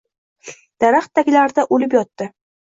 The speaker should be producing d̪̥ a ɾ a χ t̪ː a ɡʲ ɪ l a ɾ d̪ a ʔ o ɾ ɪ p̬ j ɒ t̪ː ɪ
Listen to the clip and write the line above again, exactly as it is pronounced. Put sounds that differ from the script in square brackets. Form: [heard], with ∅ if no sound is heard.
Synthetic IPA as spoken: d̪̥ a ɾ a χ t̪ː a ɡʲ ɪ l a ɾ d̪ a ʔ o [l] ɪ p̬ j ɒ t̪ː ɪ

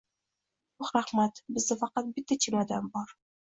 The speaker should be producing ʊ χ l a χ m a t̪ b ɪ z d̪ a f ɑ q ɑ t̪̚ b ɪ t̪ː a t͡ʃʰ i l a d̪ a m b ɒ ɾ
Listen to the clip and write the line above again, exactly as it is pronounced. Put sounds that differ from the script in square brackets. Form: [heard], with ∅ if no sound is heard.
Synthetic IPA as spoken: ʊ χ [ɾ] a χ m a t̪ b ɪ z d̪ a f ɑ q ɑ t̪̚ b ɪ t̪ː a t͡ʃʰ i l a d̪ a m b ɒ ɾ

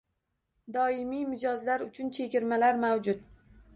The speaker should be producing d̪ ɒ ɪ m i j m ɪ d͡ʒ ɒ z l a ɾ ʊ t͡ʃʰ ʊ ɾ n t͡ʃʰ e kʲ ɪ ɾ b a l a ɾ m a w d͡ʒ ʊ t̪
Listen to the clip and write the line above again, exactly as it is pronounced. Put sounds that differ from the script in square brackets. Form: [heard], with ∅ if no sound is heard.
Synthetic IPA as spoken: d̪ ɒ ɪ m i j m ɪ d͡ʒ ɒ z l a ɾ ʊ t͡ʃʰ ʊ [∅] n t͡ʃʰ e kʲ ɪ ɾ [m] a l a ɾ m a w d͡ʒ ʊ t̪

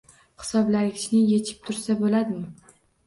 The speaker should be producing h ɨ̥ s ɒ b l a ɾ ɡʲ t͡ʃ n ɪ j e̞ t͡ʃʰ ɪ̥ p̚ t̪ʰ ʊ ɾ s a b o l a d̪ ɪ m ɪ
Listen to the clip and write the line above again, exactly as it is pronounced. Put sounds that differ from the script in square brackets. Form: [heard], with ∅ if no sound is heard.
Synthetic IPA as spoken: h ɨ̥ s ɒ b l a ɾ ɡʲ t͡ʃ n ɪ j e̞ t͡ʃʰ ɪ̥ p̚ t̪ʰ ʊ ɾ s a b o l a d̪ ɪ m ɪ

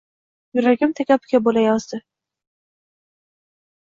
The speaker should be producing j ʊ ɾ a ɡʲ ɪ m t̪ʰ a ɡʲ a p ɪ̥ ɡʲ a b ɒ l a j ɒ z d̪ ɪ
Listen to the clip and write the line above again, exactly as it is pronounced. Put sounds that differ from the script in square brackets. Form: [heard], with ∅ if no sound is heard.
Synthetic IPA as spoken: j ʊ ɾ a ɡʲ ɪ m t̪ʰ a [kʲ] a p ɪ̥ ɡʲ a b [o] l a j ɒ z d̪ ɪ

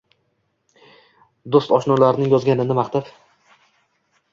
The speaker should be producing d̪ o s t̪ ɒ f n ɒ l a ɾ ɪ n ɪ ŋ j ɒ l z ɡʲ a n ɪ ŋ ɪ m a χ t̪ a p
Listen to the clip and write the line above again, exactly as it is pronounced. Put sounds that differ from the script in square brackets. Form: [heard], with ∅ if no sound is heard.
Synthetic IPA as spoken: d̪ o s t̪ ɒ [ʃ] n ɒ l a ɾ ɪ n ɪ ŋ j ɒ [∅] z ɡʲ a n ɪ [n] ɪ m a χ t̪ a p

